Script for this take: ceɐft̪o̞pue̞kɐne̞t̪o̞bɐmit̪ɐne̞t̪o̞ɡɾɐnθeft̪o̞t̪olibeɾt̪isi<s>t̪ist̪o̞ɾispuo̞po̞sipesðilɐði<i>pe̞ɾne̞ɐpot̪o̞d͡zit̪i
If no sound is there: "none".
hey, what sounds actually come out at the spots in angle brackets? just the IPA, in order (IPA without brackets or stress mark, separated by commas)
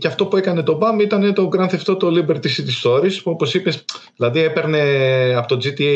none, e